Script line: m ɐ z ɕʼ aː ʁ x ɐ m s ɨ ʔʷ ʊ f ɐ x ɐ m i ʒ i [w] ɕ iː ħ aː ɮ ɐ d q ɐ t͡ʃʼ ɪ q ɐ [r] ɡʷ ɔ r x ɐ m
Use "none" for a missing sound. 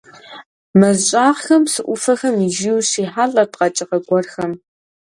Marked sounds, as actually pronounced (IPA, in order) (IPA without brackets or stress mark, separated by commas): w, none